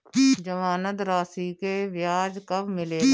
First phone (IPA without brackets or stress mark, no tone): d͡ʒ